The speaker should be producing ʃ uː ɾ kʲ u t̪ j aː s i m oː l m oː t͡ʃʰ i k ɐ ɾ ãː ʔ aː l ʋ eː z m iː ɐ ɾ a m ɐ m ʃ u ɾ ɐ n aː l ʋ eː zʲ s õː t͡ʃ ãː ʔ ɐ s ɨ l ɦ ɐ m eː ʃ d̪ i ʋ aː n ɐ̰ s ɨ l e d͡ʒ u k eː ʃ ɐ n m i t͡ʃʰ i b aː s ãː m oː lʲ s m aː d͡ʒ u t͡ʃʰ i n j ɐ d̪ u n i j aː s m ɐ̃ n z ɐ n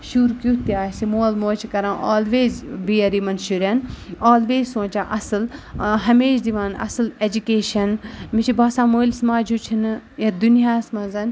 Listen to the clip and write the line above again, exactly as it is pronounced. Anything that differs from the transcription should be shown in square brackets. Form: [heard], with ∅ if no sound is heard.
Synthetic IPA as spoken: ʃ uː ɾ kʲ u t̪ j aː s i m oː l m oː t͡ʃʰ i k ɐ ɾ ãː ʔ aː l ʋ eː z [b] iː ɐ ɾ [i] m ɐ [n] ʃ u ɾ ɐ n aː l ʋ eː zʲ s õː t͡ʃ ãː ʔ ɐ s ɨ l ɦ ɐ m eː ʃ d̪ i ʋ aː n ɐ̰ s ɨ l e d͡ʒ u k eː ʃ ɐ n m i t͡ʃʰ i b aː s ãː m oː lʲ s m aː d͡ʒ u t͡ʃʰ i n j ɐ d̪ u n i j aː s m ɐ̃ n z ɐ n